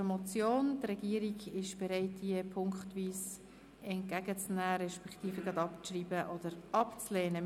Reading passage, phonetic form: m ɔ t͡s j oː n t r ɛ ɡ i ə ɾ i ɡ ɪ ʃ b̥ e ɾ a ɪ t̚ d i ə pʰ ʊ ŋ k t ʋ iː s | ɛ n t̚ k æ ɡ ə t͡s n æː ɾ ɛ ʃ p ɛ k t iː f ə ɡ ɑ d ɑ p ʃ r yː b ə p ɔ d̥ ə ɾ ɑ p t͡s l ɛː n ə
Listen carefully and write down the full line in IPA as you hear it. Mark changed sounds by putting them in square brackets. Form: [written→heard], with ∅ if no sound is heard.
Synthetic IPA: m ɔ t͡s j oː n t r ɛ ɡ i ə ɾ i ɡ ɪ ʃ b̥ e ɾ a ɪ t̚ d i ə pʰ ʊ ŋ k t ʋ iː s | ɛ n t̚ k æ ɡ ə t͡s n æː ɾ ɛ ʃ p ɛ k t iː f ə ɡ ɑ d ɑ p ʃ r [yː→iː] b ə [p→ʔ] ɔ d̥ ə ɾ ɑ p t͡s l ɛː n ə

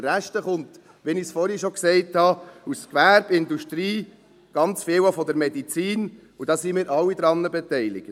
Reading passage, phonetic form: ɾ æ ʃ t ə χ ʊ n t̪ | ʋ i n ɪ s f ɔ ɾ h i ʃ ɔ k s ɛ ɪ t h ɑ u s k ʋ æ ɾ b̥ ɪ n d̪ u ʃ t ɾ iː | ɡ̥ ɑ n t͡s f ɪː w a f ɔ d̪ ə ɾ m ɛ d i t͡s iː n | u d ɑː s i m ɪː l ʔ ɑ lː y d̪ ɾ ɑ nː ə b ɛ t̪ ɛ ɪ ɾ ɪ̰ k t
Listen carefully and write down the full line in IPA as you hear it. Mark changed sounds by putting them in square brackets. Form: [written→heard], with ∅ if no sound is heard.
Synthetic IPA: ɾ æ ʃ t ə χ ʊ n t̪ | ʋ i n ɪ s f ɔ ɾ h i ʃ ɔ k s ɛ ɪ t h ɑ u s k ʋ æ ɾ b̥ ɪ n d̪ u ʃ t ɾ iː | ɡ̥ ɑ n t͡s f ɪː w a f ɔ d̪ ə ɾ m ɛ d i t͡s iː n | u d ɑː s i m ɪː [l→ɾ] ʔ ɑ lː [y→i] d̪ ɾ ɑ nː ə b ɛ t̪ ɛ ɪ [ɾ→l] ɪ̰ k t

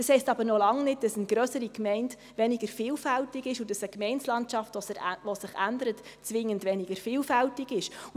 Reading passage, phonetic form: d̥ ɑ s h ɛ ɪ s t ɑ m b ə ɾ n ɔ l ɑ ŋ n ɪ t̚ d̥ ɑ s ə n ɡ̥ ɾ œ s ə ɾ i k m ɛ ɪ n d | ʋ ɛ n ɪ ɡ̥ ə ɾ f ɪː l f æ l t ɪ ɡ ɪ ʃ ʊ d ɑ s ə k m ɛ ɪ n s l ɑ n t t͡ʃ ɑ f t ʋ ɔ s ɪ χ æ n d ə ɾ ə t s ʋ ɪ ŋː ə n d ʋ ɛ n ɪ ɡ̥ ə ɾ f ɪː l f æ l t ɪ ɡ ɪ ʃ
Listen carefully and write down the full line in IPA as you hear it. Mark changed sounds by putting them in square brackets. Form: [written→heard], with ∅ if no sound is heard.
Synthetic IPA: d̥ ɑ s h ɛ ɪ s t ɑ [m→∅] b ə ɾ n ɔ l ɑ ŋ n ɪ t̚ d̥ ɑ s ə n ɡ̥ ɾ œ s ə ɾ i k m ɛ ɪ n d | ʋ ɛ n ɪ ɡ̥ ə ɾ f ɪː l f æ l t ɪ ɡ ɪ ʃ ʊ d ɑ s ə k m ɛ ɪ n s l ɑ n t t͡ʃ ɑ f t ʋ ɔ s ɪ χ æ n d ə ɾ ə t [s→t͡s] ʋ ɪ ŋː ə n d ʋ ɛ n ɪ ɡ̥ ə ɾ f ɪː l f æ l t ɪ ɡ ɪ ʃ

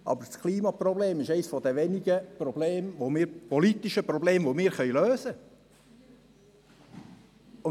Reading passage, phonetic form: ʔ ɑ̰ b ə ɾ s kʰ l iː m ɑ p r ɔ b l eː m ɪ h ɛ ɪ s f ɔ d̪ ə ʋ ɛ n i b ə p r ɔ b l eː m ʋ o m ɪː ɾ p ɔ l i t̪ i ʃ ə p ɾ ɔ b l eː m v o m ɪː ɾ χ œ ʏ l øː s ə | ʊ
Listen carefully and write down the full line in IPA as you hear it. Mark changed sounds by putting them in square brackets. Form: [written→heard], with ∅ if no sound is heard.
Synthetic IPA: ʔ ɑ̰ b ə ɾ s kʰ l iː m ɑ p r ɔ b l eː m ɪ [h→ʃ] ɛ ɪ s f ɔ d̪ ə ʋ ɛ n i [b→ɡ] ə p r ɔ b l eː m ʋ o m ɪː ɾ p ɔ l i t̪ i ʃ ə p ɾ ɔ b l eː m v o m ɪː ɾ χ œ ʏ l øː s ə | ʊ

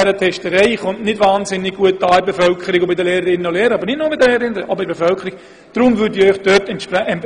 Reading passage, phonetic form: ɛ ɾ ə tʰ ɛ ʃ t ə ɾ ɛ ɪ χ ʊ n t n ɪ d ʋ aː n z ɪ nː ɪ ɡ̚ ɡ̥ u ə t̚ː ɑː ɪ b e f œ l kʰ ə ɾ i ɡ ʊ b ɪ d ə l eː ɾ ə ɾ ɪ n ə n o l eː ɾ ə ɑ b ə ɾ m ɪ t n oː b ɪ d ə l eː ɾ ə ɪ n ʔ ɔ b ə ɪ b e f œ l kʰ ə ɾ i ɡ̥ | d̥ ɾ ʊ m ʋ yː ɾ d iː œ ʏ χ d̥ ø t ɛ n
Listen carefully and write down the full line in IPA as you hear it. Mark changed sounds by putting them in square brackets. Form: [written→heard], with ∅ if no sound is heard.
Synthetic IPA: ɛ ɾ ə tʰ ɛ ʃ t ə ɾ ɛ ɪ χ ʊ n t n ɪ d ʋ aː n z ɪ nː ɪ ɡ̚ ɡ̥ u ə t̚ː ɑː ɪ b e f œ l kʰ ə ɾ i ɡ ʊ b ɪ d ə l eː ɾ ə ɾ ɪ n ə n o l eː ɾ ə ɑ b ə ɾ [m→n] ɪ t n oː b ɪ d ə l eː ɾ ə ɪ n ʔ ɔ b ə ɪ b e f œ l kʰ ə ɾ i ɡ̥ | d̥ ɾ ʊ m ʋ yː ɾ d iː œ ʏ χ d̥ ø t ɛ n

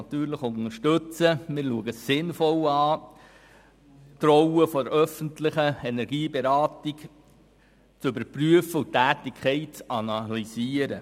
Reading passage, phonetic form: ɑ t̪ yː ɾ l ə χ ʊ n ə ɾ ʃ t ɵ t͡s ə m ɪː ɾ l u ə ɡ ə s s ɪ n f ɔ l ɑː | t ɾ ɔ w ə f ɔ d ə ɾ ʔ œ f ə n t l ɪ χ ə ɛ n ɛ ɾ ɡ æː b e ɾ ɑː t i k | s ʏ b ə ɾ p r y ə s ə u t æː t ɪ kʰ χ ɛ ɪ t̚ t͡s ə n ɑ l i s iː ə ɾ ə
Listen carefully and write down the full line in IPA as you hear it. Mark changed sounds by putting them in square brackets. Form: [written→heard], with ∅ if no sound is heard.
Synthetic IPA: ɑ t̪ yː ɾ l ə χ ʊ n ə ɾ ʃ t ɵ t͡s ə m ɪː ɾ l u ə ɡ ə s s ɪ n f ɔ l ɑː | t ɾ ɔ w ə f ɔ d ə ɾ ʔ œ f ə n t l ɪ χ ə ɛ n ɛ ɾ ɡ [æː→iː] b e ɾ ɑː t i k | [s→t͡s] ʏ b ə ɾ p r y ə [s→f] ə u t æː t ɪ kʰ χ ɛ ɪ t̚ t͡s [ə→ɑ] n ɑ l i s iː ə ɾ ə

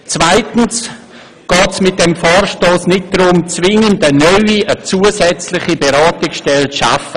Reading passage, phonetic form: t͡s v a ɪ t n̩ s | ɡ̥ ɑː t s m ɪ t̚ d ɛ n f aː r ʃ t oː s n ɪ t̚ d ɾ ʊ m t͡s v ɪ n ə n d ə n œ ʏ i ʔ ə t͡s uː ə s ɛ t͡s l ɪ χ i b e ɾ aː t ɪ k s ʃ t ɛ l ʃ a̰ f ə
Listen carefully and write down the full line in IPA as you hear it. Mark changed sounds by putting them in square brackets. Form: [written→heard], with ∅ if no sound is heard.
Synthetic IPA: t͡s v a ɪ t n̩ s | ɡ̥ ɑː t s m ɪ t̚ d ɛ [n→m] f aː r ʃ t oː s n ɪ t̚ d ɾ ʊ m t͡s v ɪ [n→ŋ] ə n d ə n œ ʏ i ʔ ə t͡s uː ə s ɛ t͡s l ɪ χ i b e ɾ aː t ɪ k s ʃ t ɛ l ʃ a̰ f ə

